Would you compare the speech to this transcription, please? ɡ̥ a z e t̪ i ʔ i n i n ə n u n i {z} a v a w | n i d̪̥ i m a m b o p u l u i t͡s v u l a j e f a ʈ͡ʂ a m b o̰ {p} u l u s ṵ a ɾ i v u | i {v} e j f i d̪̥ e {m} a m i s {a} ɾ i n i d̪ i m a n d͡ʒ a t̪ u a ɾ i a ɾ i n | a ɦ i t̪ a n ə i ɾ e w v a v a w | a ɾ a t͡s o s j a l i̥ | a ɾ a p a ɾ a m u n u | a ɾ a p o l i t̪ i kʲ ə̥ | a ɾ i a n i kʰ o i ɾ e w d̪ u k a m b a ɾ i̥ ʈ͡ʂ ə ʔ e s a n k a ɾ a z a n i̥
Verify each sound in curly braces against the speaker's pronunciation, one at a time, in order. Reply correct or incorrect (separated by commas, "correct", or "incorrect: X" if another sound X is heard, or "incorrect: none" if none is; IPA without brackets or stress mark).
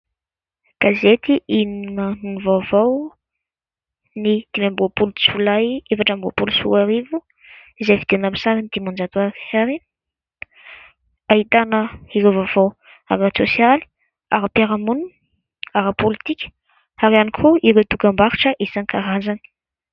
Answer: incorrect: v, correct, incorrect: z, incorrect: n, correct